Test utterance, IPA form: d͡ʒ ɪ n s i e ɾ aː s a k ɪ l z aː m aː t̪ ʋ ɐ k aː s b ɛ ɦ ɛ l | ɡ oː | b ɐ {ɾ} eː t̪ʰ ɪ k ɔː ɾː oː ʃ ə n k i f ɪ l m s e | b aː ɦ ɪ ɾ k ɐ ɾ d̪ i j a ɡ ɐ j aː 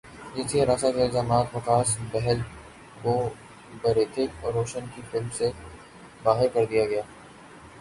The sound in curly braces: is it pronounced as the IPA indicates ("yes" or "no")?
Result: yes